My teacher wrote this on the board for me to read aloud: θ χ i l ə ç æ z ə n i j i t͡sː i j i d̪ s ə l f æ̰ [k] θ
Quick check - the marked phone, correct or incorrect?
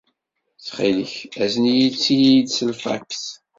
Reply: correct